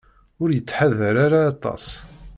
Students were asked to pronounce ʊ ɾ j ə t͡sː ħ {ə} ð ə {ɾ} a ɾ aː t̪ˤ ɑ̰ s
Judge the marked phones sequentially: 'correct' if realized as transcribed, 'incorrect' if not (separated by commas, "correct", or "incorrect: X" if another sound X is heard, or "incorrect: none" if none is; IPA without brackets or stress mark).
incorrect: a, correct